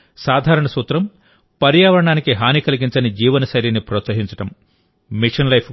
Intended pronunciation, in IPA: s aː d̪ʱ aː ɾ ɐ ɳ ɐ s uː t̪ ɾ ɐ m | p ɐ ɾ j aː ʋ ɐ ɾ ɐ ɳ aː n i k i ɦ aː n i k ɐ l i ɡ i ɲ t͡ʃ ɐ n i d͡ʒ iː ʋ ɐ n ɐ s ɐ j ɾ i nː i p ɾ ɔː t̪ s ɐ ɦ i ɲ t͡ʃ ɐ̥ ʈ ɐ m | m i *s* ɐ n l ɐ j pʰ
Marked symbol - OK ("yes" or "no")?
no